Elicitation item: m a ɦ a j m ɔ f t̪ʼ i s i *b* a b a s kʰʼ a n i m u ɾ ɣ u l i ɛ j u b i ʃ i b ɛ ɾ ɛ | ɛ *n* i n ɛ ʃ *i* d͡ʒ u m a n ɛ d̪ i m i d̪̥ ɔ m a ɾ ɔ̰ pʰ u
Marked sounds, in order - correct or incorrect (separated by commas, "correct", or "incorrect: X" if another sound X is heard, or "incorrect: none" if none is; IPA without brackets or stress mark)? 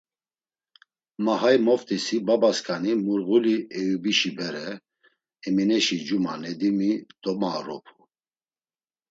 correct, incorrect: m, correct